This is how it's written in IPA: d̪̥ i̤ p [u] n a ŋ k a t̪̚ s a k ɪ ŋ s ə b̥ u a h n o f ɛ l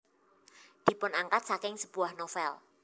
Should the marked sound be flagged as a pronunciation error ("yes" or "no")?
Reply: yes